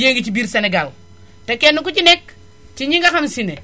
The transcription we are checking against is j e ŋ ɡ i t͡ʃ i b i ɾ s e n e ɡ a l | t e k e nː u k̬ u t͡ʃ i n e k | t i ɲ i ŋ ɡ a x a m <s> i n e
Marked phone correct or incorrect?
correct